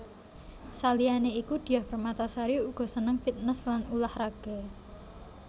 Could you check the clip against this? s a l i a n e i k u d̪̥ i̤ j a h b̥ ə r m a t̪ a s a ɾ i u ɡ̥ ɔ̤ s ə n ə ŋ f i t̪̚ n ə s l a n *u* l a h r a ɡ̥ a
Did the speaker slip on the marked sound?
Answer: no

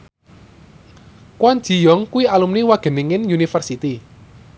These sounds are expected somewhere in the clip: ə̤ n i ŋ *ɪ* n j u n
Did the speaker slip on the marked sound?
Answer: no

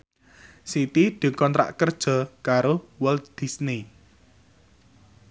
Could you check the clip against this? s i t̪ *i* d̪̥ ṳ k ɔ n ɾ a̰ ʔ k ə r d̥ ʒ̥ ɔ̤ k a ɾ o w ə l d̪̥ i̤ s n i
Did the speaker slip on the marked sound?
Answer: no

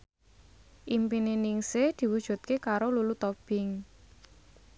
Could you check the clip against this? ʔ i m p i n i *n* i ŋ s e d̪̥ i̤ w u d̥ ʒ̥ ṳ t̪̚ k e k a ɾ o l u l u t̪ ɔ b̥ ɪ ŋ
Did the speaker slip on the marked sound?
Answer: no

